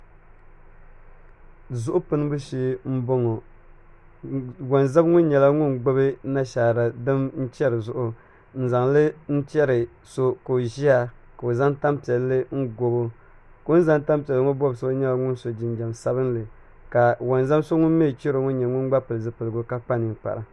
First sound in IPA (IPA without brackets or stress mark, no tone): z